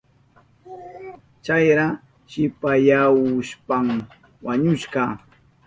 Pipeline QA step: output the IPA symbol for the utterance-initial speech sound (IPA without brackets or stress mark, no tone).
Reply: t͡ʃ